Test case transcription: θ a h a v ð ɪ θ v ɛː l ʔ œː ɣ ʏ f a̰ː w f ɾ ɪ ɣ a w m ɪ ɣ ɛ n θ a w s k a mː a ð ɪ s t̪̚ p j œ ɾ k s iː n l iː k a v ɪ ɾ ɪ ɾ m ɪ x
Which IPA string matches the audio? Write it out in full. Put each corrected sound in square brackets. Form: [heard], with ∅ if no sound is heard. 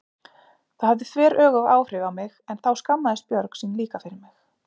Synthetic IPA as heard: θ a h a v ð ɪ θ v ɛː [ɾ] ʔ œː ɣ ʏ [v] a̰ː w f ɾ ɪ ɣ a w m ɪ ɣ ɛ n θ a w s k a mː a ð ɪ s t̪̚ p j œ ɾ k s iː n l iː k a [f] ɪ ɾ ɪ ɾ m ɪ x